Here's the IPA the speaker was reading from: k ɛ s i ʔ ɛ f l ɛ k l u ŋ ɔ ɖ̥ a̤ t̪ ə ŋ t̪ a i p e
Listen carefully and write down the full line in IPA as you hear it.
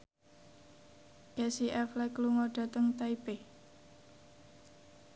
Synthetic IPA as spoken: k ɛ s i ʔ ɛ f l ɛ k l u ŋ ɔ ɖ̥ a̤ t̪ ə ŋ t̪ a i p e